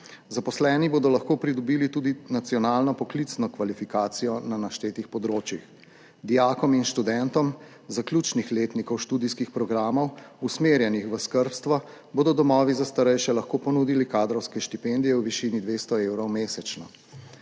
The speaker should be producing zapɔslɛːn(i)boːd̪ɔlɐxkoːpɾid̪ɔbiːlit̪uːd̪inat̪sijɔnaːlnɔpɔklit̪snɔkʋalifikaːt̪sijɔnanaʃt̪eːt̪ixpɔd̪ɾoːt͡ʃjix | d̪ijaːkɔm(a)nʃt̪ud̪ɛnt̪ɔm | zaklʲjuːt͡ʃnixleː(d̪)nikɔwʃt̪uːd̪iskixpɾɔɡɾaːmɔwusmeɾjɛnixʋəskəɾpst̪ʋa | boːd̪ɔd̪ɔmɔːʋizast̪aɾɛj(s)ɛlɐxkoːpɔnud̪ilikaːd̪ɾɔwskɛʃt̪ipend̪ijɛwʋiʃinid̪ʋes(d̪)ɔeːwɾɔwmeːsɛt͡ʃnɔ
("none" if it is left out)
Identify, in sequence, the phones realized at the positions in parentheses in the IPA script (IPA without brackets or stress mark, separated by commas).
i, i, t̪, ʃ, t̪